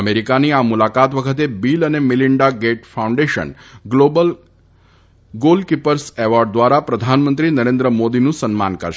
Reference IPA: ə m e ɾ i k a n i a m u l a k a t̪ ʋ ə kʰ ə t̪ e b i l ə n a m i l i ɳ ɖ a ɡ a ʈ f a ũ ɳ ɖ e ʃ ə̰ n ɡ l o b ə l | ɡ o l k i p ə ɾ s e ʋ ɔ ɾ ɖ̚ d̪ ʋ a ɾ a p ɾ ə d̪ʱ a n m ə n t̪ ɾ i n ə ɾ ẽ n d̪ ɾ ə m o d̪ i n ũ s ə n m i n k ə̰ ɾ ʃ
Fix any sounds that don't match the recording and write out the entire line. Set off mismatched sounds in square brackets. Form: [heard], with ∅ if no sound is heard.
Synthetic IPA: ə m e ɾ i k a n i a m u l a k a t̪ ʋ ə kʰ ə t̪ e b i l ə n [e] m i l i ɳ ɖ a ɡ [e] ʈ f a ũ ɳ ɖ e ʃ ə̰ n ɡ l o b ə l | ɡ o l k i p ə ɾ s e ʋ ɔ ɾ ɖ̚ d̪ ʋ a ɾ a p ɾ ə d̪ʱ a n m ə n t̪ ɾ i n ə ɾ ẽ n d̪ ɾ ə m o d̪ i n ũ s ə n m [a] n k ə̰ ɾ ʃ